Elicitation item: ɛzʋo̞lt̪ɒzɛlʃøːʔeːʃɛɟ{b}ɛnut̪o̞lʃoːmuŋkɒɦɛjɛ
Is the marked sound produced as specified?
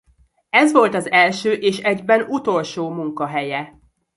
yes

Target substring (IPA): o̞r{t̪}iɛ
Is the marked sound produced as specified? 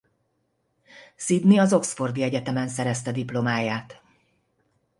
no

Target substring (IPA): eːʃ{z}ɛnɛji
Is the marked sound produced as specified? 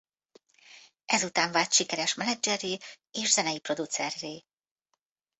yes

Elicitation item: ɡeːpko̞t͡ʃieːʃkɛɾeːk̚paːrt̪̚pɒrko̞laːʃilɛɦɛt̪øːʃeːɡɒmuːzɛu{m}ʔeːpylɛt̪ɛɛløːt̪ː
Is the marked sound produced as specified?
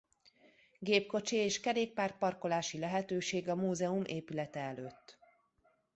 yes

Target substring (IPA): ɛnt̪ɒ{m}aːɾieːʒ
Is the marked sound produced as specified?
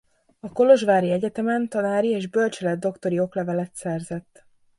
no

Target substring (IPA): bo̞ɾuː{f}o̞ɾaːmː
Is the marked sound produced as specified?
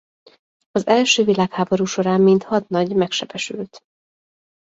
no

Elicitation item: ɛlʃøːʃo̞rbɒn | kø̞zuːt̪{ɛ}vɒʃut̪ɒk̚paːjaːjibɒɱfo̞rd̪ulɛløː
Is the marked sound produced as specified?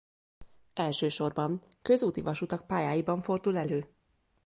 no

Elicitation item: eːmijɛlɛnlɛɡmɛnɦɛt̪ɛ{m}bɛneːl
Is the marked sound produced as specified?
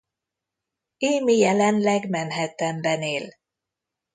yes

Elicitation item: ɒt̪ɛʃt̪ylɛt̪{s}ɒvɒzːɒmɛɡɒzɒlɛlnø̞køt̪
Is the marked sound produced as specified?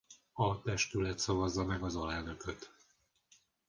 yes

